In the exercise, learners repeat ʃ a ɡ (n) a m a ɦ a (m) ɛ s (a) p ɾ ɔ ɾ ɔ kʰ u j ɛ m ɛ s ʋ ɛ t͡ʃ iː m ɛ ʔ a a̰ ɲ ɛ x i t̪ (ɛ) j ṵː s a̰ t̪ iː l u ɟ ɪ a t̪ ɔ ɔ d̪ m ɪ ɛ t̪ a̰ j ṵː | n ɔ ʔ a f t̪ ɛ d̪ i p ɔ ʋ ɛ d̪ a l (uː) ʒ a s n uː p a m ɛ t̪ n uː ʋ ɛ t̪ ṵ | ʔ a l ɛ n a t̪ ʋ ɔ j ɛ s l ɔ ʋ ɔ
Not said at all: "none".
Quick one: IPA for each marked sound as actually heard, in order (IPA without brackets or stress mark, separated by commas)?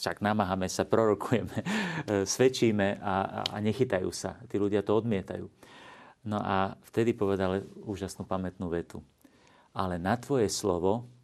n, m, a, a, uː